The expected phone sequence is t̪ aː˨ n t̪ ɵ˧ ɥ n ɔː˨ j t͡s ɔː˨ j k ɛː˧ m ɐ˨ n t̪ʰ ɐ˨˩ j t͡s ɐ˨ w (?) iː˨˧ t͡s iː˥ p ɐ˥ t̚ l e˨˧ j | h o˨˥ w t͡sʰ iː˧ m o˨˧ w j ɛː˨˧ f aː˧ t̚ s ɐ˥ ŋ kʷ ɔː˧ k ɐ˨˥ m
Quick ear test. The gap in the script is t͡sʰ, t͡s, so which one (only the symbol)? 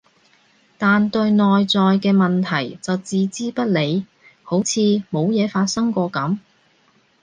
t͡s